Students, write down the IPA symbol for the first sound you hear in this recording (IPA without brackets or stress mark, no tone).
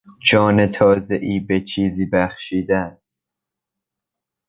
d͡ʒ